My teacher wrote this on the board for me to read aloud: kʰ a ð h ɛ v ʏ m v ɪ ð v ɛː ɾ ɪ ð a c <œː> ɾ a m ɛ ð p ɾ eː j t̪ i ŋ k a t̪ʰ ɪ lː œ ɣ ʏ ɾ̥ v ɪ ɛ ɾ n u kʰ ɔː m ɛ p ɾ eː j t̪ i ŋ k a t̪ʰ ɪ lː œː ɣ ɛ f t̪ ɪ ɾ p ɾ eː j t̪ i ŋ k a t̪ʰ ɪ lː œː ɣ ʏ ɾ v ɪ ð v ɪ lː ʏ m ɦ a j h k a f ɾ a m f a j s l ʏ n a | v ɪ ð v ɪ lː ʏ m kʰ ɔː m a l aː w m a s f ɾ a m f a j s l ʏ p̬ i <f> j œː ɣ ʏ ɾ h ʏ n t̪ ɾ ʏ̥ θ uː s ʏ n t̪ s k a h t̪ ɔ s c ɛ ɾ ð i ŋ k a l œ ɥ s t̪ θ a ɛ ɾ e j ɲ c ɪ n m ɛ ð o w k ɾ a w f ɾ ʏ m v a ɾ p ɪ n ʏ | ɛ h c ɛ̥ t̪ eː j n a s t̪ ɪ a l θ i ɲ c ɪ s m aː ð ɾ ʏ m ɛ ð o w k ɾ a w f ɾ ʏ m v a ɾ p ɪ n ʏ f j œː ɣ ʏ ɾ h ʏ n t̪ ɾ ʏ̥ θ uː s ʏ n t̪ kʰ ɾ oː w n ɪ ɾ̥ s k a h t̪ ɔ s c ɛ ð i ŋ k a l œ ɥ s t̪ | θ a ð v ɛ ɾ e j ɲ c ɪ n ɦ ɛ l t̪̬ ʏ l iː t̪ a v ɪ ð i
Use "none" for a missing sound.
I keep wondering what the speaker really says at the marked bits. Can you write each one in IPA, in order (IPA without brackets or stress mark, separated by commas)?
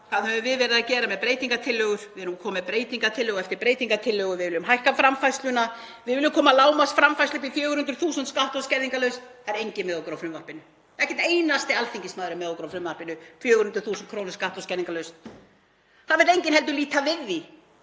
ɛː, f